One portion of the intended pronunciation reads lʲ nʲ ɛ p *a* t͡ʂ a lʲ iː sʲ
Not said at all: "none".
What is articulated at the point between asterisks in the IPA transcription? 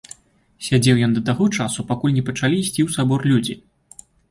ɐ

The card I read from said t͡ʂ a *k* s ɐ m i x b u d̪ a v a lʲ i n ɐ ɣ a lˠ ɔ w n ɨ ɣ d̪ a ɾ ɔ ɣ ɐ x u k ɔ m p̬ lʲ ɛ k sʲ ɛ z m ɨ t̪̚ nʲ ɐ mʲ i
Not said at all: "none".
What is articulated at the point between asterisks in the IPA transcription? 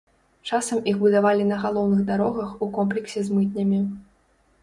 none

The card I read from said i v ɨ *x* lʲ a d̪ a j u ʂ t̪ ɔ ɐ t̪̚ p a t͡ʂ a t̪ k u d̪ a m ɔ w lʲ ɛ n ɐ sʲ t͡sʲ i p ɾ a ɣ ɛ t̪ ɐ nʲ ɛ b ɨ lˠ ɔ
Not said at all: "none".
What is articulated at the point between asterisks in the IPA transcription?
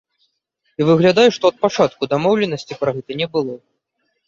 ɣ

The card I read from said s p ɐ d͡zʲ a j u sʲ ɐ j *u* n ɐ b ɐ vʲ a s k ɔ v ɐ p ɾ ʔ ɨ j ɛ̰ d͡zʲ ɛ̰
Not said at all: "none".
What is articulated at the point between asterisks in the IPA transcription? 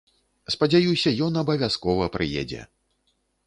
ɔ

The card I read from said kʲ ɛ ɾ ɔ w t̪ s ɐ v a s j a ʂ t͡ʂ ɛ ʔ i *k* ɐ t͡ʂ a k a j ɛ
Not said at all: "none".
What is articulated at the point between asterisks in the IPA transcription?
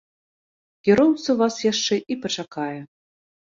p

